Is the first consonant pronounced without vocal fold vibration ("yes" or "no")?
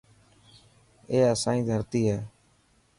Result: yes